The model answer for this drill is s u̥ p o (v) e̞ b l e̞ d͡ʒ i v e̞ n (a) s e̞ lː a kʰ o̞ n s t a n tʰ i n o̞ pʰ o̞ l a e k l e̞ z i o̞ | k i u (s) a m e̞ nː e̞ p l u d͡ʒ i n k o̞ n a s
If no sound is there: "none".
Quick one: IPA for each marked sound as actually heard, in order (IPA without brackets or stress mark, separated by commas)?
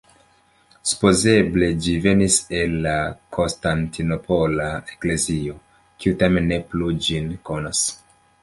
z, i, t